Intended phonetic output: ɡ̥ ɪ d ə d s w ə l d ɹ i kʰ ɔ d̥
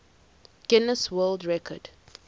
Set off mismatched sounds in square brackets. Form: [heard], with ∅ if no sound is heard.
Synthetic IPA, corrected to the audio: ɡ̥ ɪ [n] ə [∅] s w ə l d ɹ [ɛ] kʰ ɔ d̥